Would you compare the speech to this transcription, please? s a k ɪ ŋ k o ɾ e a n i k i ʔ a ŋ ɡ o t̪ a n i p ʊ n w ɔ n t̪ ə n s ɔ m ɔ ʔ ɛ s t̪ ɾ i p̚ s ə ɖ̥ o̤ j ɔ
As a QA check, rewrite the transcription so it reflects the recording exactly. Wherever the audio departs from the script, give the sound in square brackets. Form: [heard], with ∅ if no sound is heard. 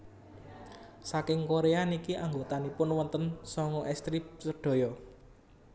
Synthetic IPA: s a k ɪ ŋ k o ɾ e a n i k i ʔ a ŋ ɡ o t̪ a n i p ʊ n w ɔ n t̪ ə n s ɔ [ŋ] ɔ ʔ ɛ s t̪ ɾ i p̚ s ə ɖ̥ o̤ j ɔ